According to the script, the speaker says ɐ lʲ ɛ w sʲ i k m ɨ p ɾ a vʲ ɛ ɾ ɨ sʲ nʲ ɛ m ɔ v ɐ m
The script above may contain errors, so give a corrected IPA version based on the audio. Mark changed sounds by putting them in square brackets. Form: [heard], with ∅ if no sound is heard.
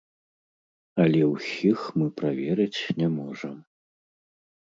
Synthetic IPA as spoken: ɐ lʲ ɛ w sʲ i [x] m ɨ p ɾ a vʲ ɛ ɾ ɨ [t͡sʲ] nʲ ɛ m ɔ [ʐ] ɐ m